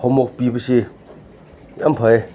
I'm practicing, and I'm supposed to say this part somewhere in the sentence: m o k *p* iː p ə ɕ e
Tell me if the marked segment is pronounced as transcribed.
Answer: yes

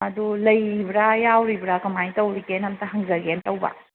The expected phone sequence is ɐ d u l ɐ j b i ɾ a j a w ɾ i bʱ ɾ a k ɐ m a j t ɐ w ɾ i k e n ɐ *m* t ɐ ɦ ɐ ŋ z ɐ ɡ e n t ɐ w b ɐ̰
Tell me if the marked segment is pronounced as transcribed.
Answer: yes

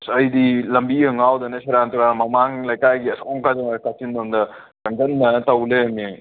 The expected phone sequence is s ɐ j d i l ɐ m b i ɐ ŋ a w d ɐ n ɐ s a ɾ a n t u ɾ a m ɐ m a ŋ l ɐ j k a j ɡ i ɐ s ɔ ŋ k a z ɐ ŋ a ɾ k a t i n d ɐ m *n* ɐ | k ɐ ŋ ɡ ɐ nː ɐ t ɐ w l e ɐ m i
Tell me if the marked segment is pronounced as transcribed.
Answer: no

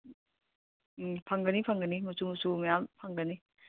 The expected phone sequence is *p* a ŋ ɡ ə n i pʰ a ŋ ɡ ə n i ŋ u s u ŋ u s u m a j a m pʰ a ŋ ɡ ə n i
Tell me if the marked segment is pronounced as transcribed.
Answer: no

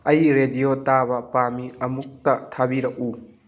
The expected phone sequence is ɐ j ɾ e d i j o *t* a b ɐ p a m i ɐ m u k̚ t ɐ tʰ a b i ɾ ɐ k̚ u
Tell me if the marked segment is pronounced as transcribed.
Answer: yes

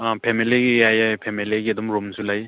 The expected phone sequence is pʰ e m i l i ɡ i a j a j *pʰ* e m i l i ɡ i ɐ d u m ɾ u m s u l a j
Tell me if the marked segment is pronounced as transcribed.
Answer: yes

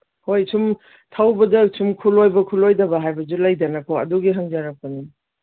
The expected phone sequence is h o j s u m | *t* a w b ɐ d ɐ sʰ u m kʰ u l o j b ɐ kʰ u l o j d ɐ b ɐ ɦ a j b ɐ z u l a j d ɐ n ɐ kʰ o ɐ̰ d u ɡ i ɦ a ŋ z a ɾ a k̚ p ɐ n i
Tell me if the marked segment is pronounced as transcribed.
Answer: no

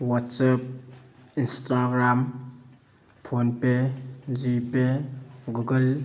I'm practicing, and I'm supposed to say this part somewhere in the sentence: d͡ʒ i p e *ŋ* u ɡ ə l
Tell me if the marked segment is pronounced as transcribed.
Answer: no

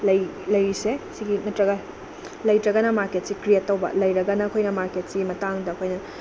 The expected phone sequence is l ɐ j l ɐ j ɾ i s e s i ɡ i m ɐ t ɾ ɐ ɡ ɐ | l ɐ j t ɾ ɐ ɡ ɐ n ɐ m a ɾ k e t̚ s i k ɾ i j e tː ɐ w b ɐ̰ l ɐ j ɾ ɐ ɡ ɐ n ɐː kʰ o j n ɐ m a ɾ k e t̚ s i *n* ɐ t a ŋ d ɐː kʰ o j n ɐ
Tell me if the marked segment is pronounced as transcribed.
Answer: no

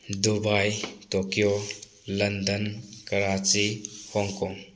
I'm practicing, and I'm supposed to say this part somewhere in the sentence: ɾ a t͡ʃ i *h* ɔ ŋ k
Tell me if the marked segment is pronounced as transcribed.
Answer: yes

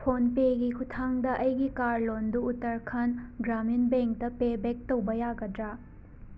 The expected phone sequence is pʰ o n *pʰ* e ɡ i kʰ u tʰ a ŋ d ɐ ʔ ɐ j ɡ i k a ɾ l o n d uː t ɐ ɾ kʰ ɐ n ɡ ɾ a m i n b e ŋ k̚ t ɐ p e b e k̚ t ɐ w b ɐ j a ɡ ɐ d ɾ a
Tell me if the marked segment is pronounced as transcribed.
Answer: no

